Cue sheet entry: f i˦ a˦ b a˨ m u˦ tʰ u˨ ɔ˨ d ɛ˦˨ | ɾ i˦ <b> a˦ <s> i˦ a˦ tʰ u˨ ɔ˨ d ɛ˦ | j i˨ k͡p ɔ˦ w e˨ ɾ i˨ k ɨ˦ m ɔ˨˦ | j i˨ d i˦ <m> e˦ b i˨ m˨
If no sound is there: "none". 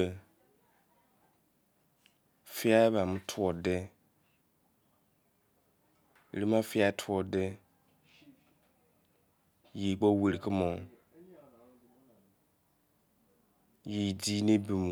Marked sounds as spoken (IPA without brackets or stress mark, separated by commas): m, f, n